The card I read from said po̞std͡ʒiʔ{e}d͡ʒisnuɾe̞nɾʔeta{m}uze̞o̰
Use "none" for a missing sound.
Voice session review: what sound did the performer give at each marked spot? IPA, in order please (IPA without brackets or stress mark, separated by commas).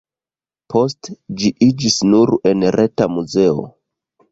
i, m